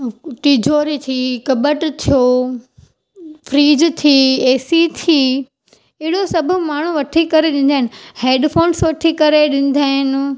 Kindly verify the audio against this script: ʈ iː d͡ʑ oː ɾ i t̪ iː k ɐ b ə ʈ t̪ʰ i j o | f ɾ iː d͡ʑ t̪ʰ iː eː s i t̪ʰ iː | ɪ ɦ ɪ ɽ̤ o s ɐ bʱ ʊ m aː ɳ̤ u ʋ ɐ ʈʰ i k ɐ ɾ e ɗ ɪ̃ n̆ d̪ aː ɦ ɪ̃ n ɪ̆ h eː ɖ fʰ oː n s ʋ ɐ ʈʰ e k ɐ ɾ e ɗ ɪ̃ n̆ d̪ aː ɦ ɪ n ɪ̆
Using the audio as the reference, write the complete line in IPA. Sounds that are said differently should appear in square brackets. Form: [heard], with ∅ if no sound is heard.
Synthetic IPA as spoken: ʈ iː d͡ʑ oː ɾ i [t̪ʰ] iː k ɐ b ə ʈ t̪ʰ i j o | f ɾ iː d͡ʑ t̪ʰ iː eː s i t̪ʰ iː | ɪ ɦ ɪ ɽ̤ o s ɐ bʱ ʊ m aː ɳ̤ u ʋ ɐ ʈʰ i k ɐ ɾ e ɗ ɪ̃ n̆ d̪ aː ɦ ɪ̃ n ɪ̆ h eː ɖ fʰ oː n s ʋ ɐ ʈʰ [i] k ɐ ɾ e ɗ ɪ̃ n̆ d̪ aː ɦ ɪ n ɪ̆